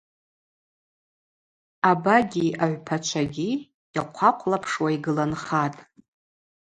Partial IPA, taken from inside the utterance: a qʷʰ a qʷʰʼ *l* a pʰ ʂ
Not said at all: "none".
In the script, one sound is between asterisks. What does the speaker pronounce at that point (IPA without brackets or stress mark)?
l